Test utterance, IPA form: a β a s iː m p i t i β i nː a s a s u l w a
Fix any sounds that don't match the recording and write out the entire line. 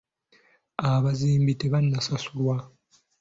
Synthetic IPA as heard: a β a z iː m b i t e β a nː a s a s u l w a